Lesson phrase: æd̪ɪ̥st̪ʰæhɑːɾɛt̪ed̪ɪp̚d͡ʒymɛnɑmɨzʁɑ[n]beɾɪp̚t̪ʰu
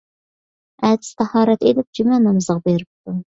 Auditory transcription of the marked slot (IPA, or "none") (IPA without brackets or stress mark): none